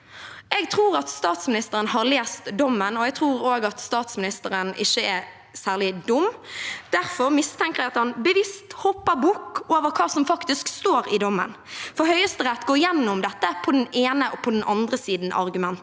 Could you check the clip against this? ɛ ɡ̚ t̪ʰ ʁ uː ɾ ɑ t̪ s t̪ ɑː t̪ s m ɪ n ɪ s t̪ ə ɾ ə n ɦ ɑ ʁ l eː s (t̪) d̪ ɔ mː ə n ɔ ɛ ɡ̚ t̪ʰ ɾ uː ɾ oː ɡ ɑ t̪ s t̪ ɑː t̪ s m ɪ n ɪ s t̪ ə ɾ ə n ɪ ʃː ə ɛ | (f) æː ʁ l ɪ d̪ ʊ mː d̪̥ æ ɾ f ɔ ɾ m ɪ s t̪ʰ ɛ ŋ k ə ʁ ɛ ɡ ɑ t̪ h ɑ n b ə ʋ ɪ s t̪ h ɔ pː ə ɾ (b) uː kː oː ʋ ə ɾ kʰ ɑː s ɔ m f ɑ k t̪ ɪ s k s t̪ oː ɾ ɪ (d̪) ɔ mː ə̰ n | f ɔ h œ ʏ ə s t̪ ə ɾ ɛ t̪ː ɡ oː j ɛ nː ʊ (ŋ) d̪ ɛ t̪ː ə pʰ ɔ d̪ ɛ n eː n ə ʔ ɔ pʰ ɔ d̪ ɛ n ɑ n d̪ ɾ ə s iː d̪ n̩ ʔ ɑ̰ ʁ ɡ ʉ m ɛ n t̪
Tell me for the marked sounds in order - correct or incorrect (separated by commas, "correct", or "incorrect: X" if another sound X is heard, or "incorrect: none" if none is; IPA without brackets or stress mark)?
correct, incorrect: s, correct, correct, incorrect: m